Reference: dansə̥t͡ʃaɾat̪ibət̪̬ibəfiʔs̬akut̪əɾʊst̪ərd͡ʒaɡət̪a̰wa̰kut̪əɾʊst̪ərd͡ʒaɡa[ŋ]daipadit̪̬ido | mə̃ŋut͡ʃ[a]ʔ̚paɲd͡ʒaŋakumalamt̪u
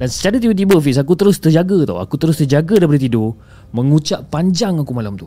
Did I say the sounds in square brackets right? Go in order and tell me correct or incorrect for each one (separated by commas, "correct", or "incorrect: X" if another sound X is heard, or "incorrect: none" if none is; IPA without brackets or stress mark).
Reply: incorrect: none, correct